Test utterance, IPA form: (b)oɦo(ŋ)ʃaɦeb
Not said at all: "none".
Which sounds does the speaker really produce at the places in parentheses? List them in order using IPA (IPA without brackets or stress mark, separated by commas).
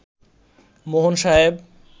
m, n